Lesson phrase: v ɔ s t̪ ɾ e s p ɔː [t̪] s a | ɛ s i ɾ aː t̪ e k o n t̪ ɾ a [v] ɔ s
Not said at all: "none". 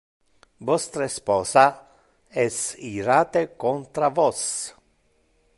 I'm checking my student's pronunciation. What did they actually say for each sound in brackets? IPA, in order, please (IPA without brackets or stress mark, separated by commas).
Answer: none, v